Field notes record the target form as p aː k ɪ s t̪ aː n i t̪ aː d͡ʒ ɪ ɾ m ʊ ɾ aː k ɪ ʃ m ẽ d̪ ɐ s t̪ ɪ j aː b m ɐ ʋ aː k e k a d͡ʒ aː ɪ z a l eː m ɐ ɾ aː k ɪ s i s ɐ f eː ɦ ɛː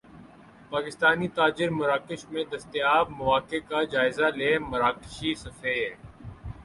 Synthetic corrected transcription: p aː k ɪ s t̪ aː n i t̪ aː d͡ʒ ɪ ɾ m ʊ ɾ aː k ɪ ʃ m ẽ d̪ ɐ s t̪ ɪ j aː b m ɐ ʋ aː k e k a d͡ʒ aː ɪ z a l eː m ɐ ɾ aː k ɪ ʃ i s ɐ f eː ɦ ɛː